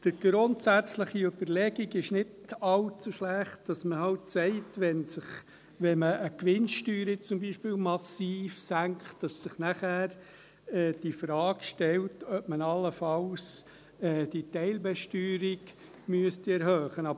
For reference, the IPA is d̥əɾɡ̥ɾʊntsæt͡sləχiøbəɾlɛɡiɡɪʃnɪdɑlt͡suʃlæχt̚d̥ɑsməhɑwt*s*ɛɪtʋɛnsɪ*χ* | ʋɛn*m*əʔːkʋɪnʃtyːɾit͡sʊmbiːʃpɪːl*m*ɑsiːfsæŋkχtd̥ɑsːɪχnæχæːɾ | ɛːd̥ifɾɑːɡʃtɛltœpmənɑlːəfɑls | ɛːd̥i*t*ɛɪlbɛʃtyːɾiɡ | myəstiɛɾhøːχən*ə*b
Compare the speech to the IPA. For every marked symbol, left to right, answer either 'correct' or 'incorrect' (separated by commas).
correct, correct, correct, correct, correct, incorrect